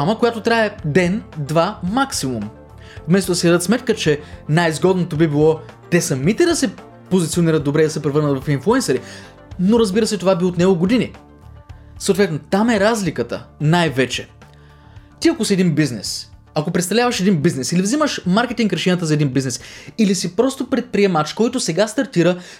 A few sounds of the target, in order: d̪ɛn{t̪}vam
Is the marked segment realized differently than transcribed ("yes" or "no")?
yes